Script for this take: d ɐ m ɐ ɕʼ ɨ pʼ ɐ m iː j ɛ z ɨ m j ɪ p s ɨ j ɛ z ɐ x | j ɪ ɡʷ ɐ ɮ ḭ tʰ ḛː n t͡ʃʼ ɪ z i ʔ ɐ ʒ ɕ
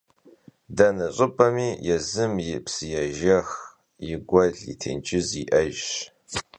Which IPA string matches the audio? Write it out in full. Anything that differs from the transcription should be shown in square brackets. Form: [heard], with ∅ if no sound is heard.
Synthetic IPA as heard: d ɐ [n] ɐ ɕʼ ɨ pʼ ɐ m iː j ɛ z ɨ m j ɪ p s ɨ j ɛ [ʒ] ɐ x | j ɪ ɡʷ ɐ ɮ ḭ tʰ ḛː n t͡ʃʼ ɪ z i ʔ ɐ ʒ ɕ